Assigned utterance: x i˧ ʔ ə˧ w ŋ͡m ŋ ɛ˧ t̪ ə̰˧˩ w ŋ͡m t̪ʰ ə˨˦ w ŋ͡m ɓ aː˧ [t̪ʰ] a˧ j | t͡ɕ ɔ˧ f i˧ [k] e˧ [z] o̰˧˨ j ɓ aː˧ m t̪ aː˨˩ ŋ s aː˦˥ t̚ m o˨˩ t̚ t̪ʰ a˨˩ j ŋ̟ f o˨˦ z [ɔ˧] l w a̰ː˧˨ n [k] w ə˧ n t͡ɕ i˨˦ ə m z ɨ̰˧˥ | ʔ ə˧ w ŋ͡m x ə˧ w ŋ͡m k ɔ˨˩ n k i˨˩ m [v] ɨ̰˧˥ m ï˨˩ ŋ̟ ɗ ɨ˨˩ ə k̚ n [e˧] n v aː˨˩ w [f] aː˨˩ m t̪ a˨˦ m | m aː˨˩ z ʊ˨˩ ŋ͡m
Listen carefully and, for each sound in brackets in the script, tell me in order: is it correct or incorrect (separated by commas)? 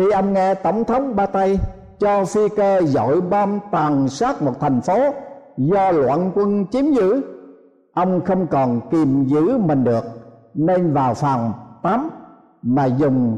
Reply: incorrect, correct, correct, correct, correct, incorrect, correct, correct